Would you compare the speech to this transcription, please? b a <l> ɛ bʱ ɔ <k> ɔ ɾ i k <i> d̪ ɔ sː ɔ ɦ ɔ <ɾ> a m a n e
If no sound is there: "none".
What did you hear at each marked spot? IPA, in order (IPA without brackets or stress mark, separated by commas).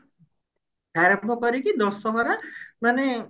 ɾ, k, i, ɾ